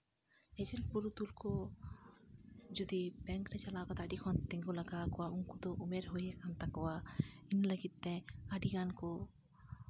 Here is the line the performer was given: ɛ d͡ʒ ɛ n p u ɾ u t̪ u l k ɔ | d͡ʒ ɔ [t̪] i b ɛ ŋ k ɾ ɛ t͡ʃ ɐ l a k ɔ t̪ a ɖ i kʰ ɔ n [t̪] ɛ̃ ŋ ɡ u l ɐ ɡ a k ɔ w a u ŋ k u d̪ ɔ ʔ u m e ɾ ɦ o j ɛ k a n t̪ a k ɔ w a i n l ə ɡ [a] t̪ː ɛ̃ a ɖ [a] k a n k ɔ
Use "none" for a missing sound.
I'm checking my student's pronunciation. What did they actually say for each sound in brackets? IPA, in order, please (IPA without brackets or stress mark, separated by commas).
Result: d̪, t̪, i, i